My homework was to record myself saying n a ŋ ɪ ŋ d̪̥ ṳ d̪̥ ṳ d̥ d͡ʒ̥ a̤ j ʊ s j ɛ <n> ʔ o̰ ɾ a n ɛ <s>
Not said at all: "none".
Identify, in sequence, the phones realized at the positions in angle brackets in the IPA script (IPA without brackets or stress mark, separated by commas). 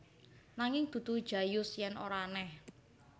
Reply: n, h